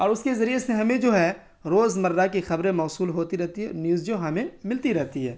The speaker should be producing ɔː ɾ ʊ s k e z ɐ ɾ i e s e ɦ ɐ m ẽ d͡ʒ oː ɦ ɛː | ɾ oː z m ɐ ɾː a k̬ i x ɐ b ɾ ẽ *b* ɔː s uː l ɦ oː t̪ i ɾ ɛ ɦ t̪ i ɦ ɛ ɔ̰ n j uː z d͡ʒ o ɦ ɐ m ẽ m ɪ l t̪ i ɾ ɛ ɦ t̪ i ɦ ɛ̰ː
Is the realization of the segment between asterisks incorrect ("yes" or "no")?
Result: yes